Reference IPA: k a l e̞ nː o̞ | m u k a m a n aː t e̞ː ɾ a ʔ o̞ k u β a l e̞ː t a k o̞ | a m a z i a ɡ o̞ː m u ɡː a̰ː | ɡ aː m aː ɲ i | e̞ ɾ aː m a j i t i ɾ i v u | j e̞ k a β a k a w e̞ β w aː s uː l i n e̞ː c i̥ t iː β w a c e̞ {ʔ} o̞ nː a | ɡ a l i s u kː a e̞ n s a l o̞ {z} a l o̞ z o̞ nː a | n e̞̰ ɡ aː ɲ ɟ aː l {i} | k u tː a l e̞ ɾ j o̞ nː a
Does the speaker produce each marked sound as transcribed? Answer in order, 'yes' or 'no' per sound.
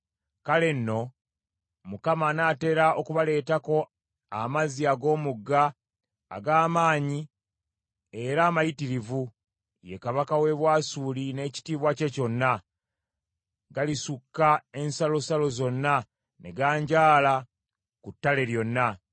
no, no, no

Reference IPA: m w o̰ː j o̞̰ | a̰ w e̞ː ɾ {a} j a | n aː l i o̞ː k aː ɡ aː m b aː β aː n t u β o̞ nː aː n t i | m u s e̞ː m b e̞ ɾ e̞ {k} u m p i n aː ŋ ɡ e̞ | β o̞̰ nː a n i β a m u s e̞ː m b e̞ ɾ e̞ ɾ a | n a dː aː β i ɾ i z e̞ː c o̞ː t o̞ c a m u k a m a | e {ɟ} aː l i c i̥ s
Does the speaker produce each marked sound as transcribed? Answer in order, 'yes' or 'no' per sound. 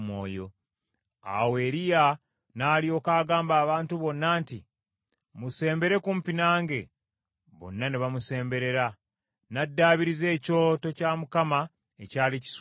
no, yes, no

